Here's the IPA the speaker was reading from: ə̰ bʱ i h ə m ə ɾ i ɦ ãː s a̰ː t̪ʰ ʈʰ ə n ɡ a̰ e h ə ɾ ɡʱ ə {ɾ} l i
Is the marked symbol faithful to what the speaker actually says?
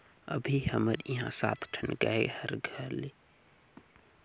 yes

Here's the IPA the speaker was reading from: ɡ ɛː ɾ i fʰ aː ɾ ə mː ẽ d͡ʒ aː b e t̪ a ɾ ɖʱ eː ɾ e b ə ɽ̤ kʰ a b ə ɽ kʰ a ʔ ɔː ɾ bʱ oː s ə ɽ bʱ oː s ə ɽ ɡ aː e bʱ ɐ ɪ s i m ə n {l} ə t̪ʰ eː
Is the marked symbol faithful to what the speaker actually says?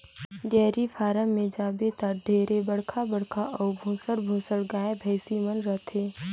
no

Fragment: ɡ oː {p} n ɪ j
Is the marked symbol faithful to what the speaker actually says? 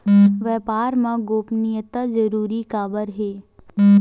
yes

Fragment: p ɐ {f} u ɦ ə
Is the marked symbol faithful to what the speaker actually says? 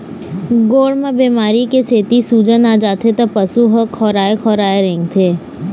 no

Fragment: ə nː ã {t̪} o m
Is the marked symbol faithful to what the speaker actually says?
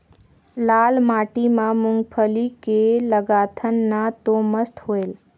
yes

